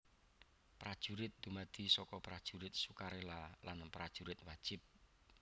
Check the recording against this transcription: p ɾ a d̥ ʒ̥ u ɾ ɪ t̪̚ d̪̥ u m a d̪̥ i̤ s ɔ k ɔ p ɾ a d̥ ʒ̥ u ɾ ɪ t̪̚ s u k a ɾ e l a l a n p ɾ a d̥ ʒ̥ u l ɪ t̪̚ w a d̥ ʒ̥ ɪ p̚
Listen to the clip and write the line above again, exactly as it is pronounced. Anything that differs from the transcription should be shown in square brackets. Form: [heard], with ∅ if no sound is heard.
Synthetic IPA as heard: p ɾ a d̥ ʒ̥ u ɾ ɪ t̪̚ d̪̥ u m a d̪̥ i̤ s ɔ k ɔ p ɾ a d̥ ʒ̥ u ɾ ɪ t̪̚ s u k a ɾ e l a l a n p ɾ a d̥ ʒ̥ u [ɾ] ɪ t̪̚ w a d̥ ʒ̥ ɪ p̚